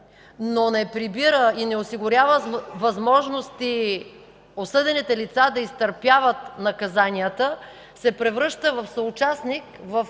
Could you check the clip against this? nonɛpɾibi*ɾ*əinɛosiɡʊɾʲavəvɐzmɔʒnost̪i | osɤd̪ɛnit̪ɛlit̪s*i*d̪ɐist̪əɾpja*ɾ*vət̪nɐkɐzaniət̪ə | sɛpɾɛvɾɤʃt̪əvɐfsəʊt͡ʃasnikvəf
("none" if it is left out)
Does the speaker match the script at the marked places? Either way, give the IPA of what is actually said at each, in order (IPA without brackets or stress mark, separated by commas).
ɾ, a, none